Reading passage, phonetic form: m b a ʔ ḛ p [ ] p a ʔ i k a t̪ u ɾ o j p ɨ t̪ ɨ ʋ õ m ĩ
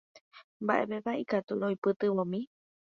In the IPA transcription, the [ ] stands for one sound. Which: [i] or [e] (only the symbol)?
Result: e